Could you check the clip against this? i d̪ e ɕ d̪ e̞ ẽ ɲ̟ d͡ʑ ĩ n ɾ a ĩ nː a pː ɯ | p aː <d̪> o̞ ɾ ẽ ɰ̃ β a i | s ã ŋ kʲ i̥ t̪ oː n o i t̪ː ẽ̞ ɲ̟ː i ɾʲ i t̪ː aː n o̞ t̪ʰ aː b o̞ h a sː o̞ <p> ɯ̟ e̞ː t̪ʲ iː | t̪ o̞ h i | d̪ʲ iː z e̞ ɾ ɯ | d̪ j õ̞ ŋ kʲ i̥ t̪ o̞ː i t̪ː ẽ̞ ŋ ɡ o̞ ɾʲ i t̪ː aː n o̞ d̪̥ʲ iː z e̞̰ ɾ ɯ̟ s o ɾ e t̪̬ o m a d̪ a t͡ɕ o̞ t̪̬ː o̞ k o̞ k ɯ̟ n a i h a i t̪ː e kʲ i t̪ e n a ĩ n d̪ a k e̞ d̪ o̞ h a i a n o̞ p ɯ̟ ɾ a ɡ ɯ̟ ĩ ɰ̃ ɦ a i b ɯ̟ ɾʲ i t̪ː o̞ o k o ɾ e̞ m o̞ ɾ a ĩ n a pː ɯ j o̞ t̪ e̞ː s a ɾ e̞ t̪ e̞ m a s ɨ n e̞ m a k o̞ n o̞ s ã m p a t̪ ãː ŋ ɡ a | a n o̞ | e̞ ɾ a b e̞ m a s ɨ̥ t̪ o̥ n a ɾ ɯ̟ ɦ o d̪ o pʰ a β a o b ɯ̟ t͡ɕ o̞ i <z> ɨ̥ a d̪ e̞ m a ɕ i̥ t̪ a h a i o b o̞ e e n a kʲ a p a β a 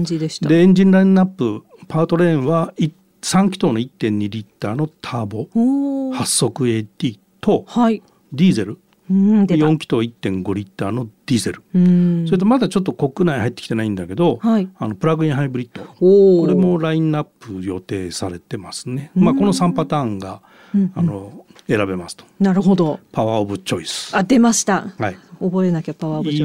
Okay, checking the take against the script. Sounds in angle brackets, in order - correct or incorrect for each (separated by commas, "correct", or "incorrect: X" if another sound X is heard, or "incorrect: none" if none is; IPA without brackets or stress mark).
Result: incorrect: t̪, incorrect: k, incorrect: s